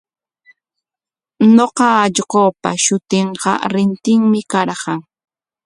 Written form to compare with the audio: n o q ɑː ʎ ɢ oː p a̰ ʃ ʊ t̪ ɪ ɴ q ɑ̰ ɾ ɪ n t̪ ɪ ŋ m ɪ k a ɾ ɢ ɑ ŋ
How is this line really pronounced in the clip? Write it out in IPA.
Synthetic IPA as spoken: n o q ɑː ʎ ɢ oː p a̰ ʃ ʊ t̪ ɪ ɴ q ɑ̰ ɾ ɪ n t̪ ɪ ŋ m ɪ k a ɾ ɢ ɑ ŋ